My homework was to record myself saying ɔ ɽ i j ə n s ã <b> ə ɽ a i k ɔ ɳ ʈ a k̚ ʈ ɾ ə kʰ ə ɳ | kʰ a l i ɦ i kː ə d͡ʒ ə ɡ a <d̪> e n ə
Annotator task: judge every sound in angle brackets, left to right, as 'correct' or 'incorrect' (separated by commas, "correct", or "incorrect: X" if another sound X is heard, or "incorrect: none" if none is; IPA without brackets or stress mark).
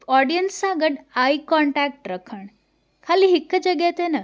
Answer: incorrect: ɡ, incorrect: t̪